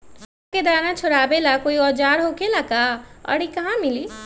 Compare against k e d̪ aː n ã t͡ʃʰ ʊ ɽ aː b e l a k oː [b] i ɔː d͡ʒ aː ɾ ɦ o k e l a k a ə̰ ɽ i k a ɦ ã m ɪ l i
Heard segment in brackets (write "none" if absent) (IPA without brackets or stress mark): none